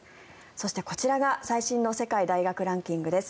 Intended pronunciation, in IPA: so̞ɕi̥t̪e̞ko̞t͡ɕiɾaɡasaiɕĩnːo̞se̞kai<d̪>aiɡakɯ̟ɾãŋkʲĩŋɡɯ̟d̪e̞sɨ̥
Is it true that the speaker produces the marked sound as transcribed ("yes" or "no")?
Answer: yes